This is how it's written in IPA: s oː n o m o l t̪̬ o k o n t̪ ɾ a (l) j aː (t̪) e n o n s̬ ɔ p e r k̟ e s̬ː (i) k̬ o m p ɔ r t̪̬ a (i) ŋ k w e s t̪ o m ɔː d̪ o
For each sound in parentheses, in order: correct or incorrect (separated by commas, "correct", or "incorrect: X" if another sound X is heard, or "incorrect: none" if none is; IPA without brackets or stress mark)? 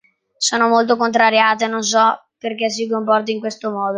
incorrect: ɾ, correct, correct, correct